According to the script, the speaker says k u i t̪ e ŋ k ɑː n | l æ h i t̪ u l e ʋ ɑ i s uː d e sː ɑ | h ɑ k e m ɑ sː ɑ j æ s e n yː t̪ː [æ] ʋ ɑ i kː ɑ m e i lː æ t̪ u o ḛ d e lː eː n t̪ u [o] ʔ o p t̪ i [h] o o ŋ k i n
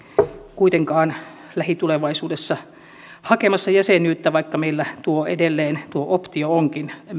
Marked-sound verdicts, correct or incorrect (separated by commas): correct, correct, incorrect